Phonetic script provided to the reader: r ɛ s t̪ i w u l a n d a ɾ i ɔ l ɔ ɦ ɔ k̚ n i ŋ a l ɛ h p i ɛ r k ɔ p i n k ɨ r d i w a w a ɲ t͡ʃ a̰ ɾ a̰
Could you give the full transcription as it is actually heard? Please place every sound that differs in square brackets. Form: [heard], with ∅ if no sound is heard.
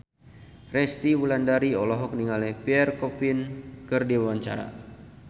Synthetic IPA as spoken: r ɛ s t̪ i w u l a n d a ɾ i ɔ l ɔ ɦ ɔ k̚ n i ŋ a l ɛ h p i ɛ r k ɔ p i n k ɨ r d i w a w a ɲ t͡ʃ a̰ ɾ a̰